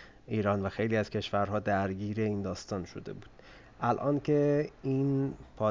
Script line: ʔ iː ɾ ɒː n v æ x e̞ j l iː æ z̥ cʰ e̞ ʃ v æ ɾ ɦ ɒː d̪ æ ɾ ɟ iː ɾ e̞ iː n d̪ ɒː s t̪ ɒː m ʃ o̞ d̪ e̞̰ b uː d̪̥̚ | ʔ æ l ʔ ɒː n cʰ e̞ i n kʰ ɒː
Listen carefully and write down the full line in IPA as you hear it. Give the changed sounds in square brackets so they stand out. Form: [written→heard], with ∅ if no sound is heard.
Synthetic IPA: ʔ iː ɾ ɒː n v æ x e̞ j l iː æ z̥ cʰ e̞ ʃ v æ ɾ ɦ ɒː d̪ æ ɾ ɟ iː ɾ e̞ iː n d̪ ɒː s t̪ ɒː [m→n] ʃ o̞ d̪ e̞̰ b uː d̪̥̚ | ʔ æ l ʔ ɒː n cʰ e̞ i n [kʰ→pʰ] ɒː